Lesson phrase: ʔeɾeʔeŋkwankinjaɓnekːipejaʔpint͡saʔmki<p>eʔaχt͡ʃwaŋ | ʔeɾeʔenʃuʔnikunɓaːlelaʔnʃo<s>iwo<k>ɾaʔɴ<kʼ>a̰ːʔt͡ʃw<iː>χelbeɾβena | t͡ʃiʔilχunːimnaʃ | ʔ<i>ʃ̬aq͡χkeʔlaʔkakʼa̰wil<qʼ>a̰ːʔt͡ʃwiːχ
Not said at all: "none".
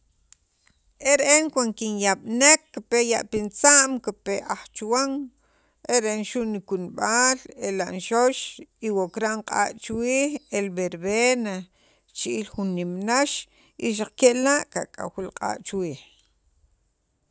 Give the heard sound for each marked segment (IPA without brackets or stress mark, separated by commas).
p, ʃ, k, qʼ, iː, i, qʼ